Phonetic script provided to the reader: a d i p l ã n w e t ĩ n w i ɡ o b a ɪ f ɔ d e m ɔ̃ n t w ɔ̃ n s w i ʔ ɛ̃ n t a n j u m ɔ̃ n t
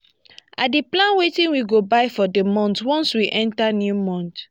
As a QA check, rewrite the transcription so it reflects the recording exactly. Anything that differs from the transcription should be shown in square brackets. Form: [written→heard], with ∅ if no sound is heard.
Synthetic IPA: a d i p l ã n w e t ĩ n w i ɡ o b a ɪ f ɔ d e m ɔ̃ n t w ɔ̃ n s w i ʔ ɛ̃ n t a n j u m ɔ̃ n t

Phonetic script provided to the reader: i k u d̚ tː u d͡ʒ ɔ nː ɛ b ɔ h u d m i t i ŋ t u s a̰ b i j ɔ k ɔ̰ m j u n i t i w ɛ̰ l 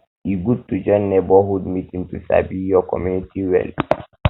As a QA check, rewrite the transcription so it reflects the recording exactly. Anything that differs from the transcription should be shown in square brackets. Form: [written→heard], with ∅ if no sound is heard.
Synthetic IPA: i [k→ɡ] u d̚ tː u d͡ʒ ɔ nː ɛ b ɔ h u d m i t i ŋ t u s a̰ b i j ɔ k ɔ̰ m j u n i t i w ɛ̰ l

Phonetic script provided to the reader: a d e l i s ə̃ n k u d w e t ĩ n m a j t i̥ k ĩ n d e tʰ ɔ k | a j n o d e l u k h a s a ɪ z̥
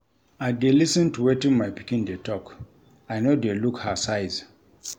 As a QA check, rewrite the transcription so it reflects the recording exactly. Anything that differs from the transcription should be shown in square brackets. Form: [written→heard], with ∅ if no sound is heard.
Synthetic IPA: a d e l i s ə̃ n [k→t] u [d→∅] w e t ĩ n m a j [t→p] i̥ k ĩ n d e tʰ ɔ k | a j n o d e l u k h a s a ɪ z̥

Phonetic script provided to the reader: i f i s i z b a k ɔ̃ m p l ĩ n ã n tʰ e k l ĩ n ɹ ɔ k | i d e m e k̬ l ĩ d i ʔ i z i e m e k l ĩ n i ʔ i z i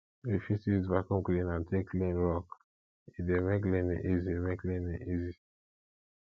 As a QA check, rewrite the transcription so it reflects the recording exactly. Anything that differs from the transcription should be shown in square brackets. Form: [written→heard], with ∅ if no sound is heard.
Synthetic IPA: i f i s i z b a k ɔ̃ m [p→k] l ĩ n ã n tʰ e k l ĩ n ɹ ɔ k | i d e m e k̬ l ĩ [d→n] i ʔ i z i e m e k l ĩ n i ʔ i z i

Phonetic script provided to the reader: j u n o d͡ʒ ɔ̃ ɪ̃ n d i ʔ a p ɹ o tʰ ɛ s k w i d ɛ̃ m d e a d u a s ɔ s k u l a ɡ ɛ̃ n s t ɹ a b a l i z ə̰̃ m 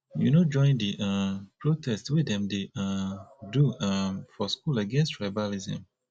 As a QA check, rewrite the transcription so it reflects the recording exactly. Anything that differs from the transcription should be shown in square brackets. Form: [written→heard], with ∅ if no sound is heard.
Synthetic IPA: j u n o d͡ʒ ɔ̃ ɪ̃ n d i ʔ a p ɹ o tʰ ɛ s [k→t] w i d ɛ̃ m d e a d u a [s→f] ɔ s k u l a ɡ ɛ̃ n s t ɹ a b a l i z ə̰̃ m

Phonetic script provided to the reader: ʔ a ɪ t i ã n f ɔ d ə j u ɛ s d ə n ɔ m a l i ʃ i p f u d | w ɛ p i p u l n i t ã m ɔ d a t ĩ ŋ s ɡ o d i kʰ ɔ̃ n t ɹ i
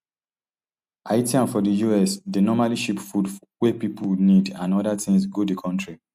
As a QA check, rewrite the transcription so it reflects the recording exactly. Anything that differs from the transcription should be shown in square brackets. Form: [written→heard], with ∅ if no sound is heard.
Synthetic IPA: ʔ a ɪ t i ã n f ɔ d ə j u ɛ s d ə n ɔ m a l i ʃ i p f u d | w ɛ p i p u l n i [t→d] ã [m→n] ɔ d a t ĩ ŋ s ɡ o d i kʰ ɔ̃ n t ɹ i

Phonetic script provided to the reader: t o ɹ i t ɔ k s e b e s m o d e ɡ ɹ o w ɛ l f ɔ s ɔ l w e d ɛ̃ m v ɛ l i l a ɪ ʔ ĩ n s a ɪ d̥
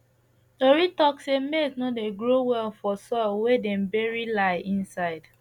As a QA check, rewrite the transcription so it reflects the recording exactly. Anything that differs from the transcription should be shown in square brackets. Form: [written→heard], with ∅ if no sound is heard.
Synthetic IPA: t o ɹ i t ɔ k s e [b→m] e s [m→n] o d e ɡ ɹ o w ɛ l f ɔ s ɔ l w e d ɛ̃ m [v→b] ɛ [l→ɹ] i l a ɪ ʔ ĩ n s a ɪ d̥

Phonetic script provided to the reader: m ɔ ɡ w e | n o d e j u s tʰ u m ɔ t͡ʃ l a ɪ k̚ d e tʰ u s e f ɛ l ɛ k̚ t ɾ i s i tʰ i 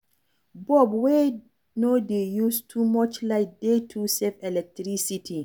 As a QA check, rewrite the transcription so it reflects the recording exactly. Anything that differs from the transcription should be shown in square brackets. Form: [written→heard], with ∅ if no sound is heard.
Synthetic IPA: [m→b] ɔ [ɡ→b] w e | n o d e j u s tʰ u m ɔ t͡ʃ l a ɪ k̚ d e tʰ u s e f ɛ l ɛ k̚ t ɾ i s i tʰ i

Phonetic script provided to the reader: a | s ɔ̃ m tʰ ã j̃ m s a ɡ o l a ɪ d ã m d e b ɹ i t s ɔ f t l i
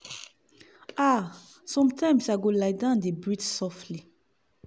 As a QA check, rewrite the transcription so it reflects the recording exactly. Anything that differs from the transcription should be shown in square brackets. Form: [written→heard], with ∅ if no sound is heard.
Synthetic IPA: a | s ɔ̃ m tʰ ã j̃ m s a ɡ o l a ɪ d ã [m→n] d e b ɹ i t s ɔ f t l i

